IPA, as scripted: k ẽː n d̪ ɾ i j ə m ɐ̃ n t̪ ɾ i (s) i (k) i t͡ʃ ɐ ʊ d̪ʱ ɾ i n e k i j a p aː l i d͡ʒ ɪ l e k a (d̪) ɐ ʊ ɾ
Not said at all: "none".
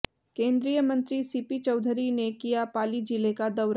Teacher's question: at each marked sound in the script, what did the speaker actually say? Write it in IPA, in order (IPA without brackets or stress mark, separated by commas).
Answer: s, p, d̪